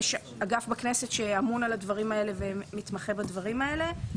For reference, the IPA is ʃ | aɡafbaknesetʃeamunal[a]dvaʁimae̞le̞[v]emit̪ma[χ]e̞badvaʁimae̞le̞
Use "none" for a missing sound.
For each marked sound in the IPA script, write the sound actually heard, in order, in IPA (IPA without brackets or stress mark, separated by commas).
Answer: a, v, χ